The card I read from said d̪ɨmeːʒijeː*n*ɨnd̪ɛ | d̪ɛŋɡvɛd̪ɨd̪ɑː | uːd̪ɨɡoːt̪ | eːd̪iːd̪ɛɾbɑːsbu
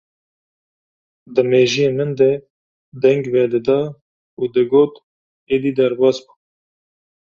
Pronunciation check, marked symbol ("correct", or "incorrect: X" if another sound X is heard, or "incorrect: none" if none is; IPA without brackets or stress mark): incorrect: m